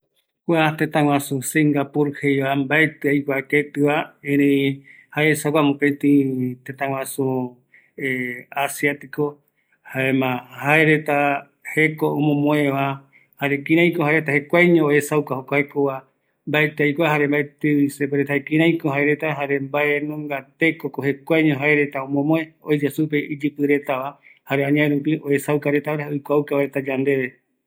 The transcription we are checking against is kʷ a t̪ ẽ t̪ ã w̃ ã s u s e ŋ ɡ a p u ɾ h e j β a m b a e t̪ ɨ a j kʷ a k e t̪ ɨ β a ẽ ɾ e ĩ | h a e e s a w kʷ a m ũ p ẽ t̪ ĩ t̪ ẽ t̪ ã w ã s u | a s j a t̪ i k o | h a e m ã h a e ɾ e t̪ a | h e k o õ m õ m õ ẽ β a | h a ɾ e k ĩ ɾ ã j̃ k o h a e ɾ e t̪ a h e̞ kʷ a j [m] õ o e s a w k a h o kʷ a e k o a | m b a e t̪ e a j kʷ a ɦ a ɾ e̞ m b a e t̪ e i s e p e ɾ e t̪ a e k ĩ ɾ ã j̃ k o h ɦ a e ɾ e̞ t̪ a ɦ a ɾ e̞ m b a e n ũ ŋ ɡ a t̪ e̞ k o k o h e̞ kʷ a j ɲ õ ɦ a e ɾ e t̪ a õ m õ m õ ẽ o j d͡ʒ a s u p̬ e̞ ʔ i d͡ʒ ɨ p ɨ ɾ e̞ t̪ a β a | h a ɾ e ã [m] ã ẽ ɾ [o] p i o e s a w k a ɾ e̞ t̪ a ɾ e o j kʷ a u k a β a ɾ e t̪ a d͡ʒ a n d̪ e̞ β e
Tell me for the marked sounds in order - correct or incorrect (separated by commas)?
incorrect, incorrect, incorrect